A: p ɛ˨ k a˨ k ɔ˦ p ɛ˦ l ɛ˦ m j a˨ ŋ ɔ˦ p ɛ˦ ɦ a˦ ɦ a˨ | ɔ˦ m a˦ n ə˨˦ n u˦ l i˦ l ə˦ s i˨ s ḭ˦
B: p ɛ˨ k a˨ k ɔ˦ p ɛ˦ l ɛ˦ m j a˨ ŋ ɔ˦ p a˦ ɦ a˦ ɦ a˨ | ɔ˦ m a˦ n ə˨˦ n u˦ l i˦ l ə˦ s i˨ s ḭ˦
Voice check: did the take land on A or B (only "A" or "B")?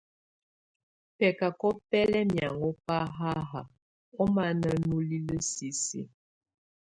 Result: B